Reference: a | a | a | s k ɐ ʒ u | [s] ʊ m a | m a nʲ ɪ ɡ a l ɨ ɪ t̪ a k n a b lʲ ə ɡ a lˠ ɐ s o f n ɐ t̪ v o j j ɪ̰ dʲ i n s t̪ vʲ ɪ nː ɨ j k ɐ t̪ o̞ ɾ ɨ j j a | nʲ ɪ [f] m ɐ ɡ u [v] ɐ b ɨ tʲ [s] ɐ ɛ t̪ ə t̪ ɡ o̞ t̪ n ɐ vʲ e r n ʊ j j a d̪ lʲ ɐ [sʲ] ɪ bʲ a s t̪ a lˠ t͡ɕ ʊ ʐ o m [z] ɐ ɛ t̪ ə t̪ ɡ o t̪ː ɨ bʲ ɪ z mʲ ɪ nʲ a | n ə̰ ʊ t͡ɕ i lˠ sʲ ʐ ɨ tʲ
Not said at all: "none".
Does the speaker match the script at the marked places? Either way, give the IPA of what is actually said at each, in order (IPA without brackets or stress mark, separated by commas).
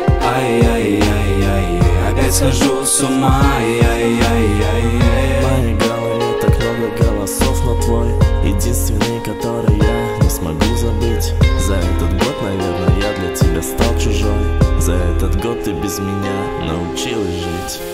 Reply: s, s, z, z, tʲ, z